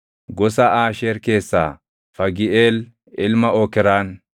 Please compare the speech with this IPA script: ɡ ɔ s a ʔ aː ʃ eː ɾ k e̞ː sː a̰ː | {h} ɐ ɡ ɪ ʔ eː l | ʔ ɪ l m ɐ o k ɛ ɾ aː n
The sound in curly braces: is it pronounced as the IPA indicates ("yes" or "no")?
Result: no